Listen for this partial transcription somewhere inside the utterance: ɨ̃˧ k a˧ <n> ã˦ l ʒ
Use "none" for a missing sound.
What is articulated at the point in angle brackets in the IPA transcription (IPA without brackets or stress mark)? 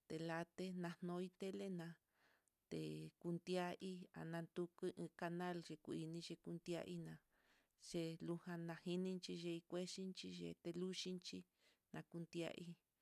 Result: n